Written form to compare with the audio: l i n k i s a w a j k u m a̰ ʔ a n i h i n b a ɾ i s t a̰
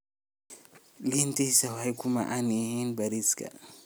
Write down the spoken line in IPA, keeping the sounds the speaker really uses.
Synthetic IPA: l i n t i s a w a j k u m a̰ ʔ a n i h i n b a ɾ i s k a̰